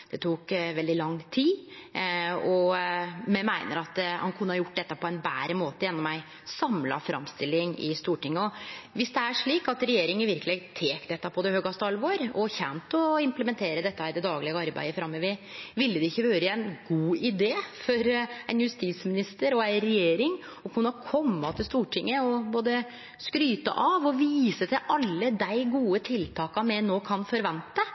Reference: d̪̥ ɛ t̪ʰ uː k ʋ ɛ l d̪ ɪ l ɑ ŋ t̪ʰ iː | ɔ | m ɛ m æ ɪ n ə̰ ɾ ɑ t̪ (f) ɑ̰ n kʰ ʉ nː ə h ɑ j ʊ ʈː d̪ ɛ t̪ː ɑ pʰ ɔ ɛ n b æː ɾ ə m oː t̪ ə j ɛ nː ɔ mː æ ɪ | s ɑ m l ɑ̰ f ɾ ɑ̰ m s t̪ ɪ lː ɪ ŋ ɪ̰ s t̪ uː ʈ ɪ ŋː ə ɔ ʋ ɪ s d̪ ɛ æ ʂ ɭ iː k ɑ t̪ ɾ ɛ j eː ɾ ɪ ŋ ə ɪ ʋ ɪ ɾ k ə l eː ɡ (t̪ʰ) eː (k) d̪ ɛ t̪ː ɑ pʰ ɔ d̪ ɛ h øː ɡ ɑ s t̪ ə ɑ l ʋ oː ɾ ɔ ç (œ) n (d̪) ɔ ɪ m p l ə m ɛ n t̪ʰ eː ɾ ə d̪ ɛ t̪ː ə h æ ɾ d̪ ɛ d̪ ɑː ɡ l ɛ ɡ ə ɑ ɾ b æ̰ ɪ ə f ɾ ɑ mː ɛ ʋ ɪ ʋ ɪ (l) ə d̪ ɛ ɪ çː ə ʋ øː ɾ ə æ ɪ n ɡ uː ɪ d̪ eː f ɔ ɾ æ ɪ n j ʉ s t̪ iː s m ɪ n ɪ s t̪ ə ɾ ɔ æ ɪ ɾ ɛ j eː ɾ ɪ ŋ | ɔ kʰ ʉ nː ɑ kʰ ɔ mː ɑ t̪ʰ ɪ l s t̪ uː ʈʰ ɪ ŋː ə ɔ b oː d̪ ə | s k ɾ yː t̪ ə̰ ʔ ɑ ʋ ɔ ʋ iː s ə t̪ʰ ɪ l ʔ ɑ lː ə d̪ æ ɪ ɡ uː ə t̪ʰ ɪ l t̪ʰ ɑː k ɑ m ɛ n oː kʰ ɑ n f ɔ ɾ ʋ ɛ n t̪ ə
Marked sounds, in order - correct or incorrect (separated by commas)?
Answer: incorrect, correct, correct, incorrect, incorrect, incorrect